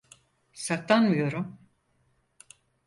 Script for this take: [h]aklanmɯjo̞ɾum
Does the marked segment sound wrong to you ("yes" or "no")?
yes